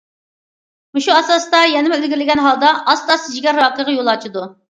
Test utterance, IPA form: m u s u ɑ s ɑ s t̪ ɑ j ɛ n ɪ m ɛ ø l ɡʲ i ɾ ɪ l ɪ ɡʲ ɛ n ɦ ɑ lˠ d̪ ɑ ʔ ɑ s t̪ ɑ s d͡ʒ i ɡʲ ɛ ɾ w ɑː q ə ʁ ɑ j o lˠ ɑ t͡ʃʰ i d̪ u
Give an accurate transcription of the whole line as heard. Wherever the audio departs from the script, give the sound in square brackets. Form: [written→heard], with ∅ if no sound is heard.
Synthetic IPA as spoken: m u [s→ʃ] u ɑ s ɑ s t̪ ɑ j ɛ n ɪ m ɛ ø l ɡʲ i ɾ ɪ l ɪ ɡʲ ɛ n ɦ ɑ lˠ d̪ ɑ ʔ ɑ s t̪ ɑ s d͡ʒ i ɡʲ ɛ ɾ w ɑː q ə ʁ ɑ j o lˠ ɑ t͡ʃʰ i d̪ u